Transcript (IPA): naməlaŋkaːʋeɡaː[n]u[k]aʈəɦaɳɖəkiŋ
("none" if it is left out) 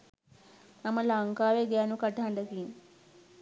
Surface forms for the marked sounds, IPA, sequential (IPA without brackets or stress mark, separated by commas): n, k